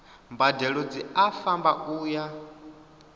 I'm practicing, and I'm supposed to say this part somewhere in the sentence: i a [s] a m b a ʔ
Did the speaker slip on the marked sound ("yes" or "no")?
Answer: yes